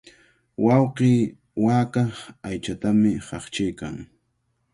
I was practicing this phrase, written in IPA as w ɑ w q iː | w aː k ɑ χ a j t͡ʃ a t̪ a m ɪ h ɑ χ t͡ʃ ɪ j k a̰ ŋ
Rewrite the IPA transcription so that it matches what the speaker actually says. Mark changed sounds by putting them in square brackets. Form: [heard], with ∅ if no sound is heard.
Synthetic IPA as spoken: w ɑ w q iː | w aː k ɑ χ a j t͡ʃ a t̪ a m ɪ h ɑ χ t͡ʃ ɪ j k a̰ ŋ